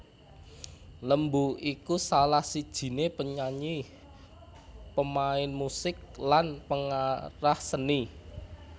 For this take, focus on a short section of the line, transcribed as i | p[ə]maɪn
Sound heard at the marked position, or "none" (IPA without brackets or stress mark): ə